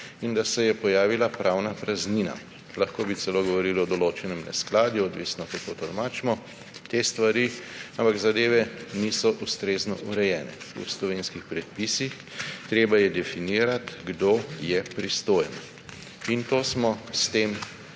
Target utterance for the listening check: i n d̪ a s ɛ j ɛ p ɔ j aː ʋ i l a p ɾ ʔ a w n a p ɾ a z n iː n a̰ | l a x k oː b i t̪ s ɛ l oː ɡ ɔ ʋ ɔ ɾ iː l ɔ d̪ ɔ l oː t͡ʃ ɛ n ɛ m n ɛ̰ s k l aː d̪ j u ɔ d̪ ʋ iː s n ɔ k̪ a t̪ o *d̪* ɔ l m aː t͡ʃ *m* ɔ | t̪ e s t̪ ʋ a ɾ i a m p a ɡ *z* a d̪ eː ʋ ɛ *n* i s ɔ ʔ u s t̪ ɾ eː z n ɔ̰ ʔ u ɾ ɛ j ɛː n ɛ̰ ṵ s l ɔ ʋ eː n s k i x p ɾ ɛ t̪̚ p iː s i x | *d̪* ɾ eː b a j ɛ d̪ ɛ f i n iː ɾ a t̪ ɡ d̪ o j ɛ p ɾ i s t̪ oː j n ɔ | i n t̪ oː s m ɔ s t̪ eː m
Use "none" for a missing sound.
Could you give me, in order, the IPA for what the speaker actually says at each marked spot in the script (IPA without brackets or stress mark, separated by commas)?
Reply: t̪, m, z, n, t̪